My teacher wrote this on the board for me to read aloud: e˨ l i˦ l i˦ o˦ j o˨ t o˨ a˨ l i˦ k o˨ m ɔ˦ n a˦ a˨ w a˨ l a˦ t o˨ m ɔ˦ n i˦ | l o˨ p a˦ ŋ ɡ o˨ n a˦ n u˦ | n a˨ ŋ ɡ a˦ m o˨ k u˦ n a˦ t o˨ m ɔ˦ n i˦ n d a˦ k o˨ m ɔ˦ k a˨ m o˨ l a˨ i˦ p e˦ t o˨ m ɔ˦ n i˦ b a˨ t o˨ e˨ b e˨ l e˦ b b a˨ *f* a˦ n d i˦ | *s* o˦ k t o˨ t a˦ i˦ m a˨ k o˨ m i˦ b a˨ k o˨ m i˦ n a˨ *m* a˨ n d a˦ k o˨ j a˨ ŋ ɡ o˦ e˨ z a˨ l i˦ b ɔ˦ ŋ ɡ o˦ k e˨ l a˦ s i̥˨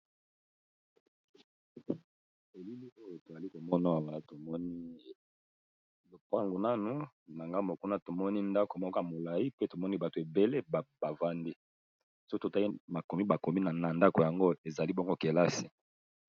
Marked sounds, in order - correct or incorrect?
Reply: incorrect, correct, incorrect

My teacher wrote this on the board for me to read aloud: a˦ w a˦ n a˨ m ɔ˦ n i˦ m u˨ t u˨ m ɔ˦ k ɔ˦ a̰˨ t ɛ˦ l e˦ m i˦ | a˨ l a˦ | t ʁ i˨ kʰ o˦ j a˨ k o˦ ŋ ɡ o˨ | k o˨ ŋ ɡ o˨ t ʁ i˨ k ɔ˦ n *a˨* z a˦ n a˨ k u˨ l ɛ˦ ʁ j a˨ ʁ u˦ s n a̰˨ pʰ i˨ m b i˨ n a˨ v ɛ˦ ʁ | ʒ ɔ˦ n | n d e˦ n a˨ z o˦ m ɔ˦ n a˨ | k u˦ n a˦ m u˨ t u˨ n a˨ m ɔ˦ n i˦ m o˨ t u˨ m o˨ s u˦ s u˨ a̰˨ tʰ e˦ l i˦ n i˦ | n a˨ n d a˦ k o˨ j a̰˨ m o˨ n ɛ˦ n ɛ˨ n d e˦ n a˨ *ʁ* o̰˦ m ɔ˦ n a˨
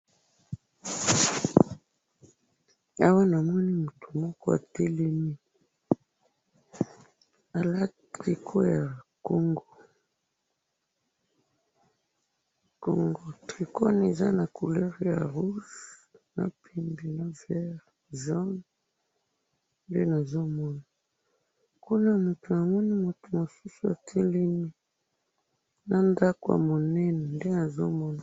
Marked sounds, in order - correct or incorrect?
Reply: incorrect, incorrect

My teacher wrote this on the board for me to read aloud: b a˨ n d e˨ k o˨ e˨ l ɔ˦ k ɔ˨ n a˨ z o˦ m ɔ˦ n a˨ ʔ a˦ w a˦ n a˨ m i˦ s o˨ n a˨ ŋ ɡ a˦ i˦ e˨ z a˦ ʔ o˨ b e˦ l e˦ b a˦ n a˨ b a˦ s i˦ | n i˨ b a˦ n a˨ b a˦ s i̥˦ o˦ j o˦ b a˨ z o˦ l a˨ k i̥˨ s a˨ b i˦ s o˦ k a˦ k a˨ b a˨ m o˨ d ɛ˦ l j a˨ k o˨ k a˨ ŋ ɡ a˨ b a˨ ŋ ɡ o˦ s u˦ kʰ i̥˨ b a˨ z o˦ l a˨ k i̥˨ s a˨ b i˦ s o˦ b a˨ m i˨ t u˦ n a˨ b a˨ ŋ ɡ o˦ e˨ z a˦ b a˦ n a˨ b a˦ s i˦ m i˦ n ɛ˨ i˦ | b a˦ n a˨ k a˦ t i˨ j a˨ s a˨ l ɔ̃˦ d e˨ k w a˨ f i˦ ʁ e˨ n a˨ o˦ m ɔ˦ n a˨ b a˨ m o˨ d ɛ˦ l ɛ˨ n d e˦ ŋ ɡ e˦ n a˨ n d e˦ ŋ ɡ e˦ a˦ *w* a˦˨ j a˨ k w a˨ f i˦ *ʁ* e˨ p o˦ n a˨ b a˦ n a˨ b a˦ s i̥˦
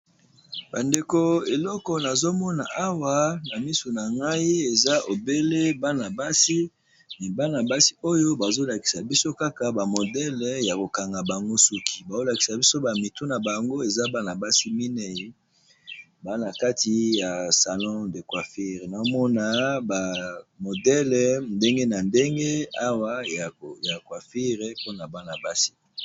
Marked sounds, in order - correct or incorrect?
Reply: correct, correct

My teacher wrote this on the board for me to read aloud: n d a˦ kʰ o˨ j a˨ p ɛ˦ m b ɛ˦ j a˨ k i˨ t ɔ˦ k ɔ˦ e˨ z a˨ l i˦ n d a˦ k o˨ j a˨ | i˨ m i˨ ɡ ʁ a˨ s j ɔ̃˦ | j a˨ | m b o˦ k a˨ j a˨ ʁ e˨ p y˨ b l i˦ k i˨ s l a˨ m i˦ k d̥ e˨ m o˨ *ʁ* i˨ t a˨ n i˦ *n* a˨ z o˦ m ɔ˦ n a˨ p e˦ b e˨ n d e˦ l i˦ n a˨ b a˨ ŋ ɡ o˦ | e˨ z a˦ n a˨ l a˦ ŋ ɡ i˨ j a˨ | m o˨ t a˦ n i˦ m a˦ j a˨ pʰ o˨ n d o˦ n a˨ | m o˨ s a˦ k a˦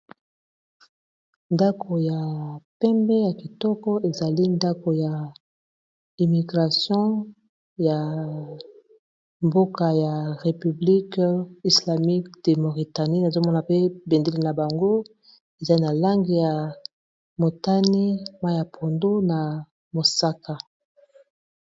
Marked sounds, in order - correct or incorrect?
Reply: correct, correct

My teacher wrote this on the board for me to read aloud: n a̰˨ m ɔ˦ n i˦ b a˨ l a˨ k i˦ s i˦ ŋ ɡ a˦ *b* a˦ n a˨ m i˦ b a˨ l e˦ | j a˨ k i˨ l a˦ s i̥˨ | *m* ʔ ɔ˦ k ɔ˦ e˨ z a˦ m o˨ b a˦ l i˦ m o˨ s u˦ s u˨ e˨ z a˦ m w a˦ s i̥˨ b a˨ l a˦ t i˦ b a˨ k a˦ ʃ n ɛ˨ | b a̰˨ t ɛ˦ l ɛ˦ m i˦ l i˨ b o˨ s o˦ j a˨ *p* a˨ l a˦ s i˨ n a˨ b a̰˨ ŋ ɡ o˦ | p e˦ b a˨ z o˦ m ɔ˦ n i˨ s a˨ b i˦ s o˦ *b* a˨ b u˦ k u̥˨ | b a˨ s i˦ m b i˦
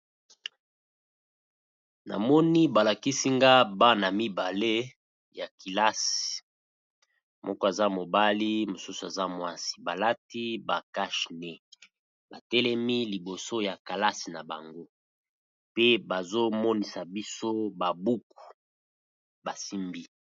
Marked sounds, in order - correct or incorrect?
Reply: correct, correct, incorrect, correct

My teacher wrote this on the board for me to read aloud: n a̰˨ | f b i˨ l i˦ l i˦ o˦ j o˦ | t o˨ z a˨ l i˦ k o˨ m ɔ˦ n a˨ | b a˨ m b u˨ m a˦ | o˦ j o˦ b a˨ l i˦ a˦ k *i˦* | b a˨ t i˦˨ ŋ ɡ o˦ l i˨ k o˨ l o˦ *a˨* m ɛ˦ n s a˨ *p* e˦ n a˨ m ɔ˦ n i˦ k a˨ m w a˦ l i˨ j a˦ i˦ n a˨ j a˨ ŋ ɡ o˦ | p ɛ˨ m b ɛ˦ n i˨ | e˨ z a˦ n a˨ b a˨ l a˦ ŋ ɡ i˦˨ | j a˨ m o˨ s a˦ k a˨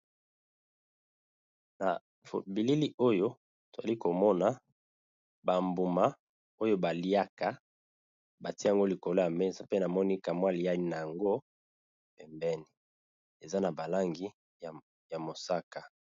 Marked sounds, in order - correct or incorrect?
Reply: incorrect, correct, correct

